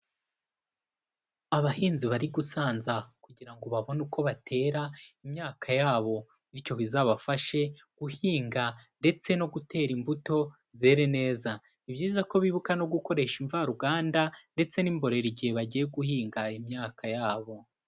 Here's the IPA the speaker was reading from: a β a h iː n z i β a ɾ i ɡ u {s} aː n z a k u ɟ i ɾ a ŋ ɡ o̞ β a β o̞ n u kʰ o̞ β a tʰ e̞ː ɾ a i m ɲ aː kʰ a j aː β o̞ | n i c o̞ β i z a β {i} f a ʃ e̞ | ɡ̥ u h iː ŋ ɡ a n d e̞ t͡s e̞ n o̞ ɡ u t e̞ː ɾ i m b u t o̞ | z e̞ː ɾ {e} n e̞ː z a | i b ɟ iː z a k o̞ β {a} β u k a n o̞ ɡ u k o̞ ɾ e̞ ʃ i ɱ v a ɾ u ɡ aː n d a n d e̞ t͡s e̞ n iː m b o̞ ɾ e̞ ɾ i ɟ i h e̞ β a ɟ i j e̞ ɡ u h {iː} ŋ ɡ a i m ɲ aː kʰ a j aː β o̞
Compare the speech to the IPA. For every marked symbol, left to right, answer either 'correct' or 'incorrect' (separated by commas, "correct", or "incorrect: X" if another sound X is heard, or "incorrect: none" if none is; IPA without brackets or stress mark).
correct, incorrect: a, correct, incorrect: i, correct